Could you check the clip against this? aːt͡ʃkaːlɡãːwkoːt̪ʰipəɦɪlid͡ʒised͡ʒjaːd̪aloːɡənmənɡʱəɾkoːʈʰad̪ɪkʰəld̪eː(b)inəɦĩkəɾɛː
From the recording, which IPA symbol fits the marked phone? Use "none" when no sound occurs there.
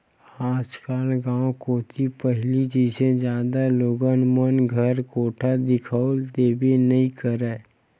b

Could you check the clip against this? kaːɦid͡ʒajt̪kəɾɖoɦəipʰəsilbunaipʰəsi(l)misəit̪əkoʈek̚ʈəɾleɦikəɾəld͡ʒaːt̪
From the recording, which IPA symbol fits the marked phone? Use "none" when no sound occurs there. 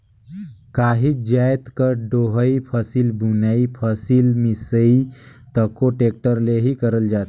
l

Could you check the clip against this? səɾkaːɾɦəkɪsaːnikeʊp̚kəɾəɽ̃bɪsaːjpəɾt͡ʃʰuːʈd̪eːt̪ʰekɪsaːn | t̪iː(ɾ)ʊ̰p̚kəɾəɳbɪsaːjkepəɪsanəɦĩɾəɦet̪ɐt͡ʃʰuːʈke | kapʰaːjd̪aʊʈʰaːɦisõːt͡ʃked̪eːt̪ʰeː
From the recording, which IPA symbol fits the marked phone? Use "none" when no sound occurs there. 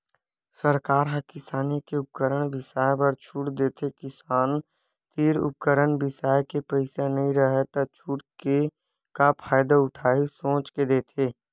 ɾ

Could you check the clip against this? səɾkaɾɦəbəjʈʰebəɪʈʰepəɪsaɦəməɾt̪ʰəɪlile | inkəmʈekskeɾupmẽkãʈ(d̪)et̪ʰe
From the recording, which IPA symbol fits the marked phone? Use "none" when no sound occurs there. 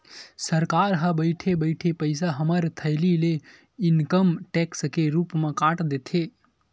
d̪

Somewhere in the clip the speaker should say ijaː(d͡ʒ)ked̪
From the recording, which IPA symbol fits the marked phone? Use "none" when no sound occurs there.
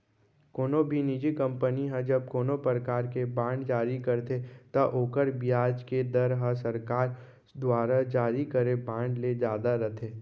d͡ʒ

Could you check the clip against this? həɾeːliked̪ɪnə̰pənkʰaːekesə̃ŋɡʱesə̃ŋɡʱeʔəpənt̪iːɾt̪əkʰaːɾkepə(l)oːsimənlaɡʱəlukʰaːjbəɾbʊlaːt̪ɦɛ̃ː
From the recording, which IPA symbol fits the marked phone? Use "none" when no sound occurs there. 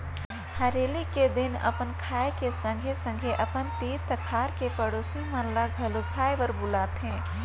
ɽ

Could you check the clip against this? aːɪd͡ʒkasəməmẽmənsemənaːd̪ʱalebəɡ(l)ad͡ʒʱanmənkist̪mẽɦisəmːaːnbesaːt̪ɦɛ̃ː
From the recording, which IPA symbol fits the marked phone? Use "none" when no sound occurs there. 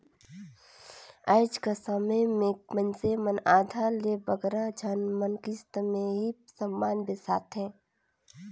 ɾ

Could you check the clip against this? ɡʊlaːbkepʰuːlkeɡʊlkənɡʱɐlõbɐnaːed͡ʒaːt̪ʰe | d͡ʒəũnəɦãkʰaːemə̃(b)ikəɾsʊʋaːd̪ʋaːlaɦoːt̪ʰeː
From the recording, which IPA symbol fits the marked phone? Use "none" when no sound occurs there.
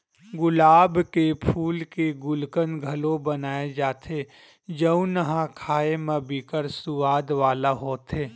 b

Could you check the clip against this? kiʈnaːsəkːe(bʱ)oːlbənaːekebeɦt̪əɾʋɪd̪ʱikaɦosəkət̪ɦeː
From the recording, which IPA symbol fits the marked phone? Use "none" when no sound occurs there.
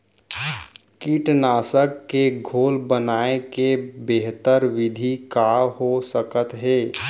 ɡʱ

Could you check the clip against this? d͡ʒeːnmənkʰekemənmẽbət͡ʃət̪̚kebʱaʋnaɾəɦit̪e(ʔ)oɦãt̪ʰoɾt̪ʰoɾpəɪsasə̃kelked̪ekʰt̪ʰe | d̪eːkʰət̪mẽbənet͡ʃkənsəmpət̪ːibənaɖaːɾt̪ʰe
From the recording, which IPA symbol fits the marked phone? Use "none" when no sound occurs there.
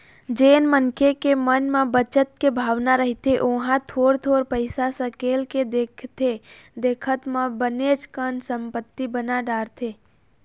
ʔ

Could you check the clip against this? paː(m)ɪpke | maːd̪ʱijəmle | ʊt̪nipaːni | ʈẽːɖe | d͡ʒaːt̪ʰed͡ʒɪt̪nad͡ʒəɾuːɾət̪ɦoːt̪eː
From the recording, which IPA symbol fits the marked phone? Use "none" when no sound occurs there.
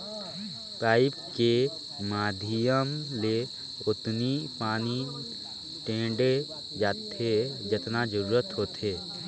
none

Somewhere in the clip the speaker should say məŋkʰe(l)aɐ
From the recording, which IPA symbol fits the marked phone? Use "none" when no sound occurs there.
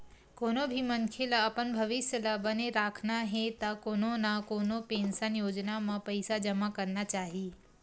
l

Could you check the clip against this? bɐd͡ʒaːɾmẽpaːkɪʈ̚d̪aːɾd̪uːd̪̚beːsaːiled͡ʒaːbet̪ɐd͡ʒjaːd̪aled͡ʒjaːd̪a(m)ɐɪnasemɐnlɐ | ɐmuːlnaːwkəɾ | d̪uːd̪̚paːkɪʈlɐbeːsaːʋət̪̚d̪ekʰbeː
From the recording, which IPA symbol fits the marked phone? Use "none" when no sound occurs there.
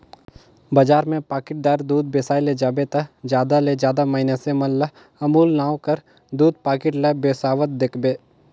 m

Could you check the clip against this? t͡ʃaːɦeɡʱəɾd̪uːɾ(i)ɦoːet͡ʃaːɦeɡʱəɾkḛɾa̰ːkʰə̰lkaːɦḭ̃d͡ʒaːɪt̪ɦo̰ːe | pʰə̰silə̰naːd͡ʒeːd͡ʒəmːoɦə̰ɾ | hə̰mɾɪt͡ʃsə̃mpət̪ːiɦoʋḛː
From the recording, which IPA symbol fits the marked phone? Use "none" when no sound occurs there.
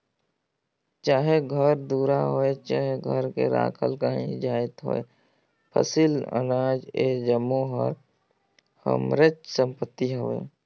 a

